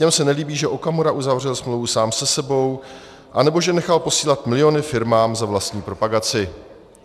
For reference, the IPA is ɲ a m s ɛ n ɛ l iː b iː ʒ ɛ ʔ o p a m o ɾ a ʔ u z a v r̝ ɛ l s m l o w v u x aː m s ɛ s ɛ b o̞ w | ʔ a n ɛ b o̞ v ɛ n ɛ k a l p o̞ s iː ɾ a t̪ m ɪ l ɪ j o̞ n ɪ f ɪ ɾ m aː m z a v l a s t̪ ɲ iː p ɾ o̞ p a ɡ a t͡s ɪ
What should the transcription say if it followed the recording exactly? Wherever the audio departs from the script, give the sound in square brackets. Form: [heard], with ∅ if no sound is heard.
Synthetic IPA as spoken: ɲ [ɛ] m s ɛ n ɛ l iː b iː ʒ ɛ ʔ o [k] a m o ɾ a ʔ u z a v r̝ ɛ l s m l o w v u [s] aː m s ɛ s ɛ b o̞ w | ʔ a n ɛ b o̞ [ʒ] ɛ n ɛ [x] a l p o̞ s iː [l] a t̪ m ɪ l ɪ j o̞ n ɪ f ɪ ɾ m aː m z a v l a s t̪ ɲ iː p ɾ o̞ p a ɡ a t͡s ɪ